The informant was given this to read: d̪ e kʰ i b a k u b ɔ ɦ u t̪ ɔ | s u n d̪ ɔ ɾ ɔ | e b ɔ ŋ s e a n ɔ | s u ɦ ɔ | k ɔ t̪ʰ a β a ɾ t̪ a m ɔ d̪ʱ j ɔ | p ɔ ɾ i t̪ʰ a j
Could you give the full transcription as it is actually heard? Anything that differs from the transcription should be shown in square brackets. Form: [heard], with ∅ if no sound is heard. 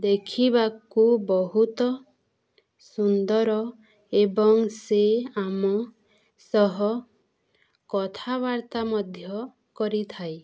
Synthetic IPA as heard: d̪ e kʰ i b a k u b ɔ ɦ u t̪ ɔ | s u n d̪ ɔ ɾ ɔ | e b ɔ ŋ s e a [m] ɔ | s [ɔ] ɦ ɔ | k ɔ t̪ʰ a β a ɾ t̪ a m ɔ d̪ʱ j ɔ | [k] ɔ ɾ i t̪ʰ a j